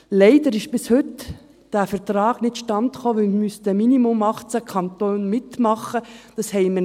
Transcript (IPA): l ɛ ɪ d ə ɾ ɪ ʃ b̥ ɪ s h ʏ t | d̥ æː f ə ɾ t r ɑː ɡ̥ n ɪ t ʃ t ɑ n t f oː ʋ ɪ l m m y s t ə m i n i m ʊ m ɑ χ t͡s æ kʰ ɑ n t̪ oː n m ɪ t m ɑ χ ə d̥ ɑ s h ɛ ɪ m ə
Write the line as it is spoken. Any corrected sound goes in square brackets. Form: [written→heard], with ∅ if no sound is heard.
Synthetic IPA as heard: l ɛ ɪ d ə ɾ ɪ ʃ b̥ ɪ s h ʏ t | d̥ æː f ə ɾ t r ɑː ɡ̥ n ɪ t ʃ t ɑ n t [f→χ] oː ʋ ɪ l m m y s t ə m i n i m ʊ m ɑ χ t͡s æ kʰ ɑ n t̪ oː n m ɪ t m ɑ χ ə d̥ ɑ s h ɛ ɪ m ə